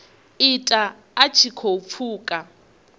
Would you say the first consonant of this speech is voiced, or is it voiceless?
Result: voiceless